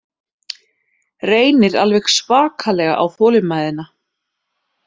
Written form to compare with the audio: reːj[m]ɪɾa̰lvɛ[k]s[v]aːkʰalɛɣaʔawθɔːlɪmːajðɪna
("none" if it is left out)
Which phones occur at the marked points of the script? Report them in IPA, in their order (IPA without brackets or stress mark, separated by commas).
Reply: n, x, v